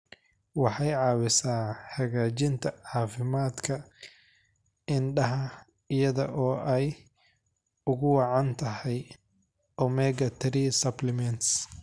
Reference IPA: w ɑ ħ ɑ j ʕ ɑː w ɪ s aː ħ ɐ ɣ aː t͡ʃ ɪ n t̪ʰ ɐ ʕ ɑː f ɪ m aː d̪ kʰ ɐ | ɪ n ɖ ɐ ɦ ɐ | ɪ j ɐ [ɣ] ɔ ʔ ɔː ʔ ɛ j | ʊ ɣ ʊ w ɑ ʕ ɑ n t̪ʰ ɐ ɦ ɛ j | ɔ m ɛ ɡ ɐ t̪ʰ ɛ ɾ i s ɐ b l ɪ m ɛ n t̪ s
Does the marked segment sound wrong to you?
yes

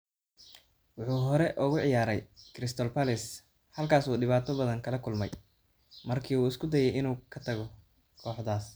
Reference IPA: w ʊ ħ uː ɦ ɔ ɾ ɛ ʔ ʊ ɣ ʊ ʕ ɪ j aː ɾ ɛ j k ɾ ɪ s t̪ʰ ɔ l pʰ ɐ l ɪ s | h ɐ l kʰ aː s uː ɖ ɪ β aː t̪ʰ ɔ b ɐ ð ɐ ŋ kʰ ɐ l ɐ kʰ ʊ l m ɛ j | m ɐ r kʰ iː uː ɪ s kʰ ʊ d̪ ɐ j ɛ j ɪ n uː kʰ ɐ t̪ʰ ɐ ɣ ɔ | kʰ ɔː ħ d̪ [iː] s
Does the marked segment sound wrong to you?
yes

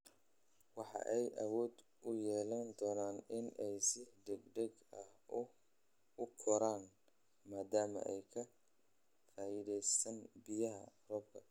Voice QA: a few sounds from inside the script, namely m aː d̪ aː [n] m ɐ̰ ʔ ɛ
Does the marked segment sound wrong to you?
yes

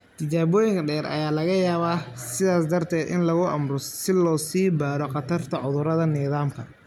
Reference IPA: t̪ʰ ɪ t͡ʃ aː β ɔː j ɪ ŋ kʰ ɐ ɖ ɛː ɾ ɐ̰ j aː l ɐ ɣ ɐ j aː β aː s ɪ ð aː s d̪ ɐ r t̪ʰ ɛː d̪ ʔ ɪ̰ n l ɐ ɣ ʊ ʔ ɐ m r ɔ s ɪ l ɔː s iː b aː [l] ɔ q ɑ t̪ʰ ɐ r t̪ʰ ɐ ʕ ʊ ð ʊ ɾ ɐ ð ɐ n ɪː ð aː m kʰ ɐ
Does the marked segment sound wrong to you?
yes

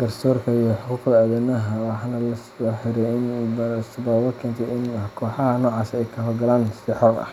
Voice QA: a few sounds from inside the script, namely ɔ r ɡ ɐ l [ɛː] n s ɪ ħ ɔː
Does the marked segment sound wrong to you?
yes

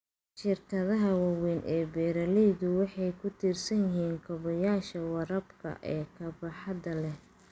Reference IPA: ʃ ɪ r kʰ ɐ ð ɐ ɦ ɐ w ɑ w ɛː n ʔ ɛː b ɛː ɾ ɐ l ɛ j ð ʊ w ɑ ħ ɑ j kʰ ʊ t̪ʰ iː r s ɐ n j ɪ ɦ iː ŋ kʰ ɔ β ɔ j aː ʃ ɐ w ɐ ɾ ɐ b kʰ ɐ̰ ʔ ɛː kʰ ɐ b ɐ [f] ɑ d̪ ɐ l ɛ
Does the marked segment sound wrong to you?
yes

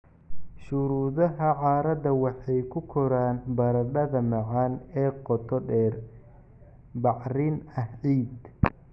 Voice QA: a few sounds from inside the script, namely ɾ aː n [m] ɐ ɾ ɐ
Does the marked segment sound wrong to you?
yes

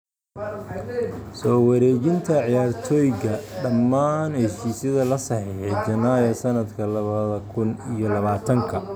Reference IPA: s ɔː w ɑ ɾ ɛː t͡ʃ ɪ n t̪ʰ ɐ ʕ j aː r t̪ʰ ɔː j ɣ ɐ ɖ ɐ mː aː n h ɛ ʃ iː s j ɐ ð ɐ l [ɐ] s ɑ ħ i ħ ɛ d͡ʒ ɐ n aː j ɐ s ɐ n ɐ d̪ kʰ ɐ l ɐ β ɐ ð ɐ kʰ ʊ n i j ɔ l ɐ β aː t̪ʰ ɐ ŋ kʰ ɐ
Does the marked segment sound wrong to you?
no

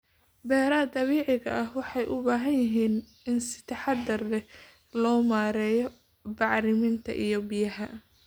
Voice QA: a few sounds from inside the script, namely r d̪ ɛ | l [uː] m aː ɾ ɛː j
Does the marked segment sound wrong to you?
yes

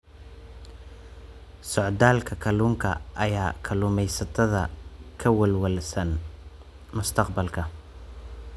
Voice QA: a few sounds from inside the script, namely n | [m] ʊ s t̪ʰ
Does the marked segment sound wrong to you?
no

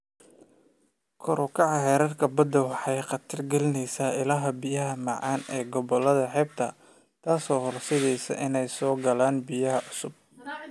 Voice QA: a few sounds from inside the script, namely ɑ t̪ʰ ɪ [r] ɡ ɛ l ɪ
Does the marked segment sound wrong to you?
no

